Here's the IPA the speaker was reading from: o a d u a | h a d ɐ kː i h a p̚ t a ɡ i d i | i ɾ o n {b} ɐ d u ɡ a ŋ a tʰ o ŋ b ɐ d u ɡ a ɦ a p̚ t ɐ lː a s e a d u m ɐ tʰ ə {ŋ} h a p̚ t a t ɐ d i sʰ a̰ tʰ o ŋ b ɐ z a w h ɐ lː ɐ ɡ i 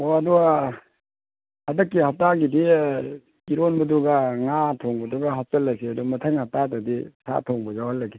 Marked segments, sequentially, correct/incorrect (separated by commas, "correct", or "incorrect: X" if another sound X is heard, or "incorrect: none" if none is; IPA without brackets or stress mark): correct, correct